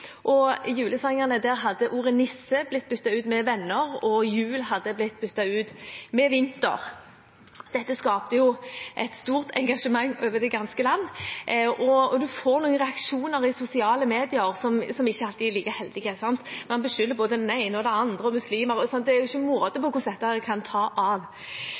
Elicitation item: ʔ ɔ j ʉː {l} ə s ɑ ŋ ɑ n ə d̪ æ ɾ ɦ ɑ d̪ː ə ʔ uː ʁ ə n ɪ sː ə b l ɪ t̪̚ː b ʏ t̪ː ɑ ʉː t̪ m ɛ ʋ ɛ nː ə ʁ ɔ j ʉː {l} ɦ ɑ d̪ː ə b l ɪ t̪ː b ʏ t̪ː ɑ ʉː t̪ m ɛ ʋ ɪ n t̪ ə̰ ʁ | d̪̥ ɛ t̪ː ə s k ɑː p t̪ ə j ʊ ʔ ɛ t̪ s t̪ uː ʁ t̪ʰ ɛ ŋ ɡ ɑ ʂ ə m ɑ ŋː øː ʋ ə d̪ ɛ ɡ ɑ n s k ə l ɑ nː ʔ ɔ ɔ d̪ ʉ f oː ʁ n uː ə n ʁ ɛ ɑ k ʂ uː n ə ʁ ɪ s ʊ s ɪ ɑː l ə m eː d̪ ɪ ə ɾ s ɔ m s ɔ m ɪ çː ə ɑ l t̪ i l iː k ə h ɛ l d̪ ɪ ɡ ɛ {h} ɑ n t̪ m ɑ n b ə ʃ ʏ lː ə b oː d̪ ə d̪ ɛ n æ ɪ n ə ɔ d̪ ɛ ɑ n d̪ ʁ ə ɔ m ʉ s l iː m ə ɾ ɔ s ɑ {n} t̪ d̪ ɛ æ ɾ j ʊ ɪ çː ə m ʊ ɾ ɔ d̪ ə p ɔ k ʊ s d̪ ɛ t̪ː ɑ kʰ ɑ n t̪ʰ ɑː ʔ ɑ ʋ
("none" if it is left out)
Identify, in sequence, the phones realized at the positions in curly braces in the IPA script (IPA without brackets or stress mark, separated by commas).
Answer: l, l, s, n